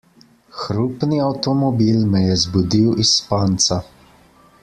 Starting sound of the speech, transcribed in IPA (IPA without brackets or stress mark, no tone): x